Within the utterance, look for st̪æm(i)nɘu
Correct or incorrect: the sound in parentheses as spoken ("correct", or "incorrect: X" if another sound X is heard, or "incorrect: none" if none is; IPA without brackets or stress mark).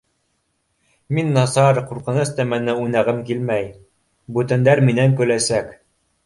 incorrect: æ